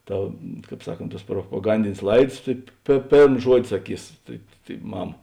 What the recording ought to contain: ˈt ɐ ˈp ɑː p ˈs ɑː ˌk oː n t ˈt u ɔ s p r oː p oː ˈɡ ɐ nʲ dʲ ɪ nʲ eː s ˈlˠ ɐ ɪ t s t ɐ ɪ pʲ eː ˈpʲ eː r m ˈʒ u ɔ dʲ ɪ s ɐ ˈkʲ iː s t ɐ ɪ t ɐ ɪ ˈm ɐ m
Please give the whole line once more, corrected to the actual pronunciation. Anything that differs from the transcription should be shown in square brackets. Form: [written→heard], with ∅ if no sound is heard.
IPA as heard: ˈt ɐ [ˈp→ˈk] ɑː p ˈs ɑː ˌk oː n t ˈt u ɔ s p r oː p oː ˈɡ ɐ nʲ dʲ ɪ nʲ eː s ˈlˠ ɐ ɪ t s t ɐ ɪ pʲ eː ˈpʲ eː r m ˈʒ u ɔ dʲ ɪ s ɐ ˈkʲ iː s t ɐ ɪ t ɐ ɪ ˈm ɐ m